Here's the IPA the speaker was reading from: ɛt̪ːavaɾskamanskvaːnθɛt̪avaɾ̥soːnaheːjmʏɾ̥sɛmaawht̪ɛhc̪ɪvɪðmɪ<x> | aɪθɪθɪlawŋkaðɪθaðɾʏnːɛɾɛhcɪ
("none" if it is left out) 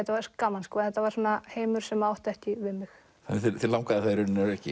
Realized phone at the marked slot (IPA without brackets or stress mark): x